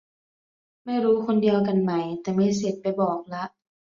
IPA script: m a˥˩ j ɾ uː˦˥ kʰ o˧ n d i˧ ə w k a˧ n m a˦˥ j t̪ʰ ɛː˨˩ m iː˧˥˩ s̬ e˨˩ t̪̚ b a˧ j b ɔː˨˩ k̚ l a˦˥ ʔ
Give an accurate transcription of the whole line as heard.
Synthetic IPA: m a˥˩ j ɾ uː˦˥ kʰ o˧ n d i˧ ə w k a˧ n m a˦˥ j t̪ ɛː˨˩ m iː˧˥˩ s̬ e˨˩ t̪̚ p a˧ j b ɔː˨˩ k̚ l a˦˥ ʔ